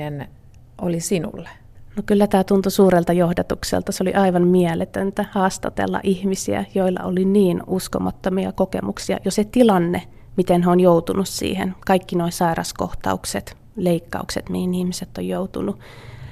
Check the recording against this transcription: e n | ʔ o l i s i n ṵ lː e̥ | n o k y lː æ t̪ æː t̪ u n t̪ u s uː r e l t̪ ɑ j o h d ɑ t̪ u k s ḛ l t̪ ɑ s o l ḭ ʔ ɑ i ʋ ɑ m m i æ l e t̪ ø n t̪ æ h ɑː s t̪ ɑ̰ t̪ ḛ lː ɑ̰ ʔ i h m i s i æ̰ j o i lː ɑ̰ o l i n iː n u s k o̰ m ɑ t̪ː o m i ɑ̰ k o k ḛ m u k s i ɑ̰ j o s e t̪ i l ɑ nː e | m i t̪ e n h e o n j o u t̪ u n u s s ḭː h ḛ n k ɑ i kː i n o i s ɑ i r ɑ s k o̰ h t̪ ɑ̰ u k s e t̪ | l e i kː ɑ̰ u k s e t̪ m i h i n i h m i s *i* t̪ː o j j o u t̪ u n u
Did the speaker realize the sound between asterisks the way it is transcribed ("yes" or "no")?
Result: no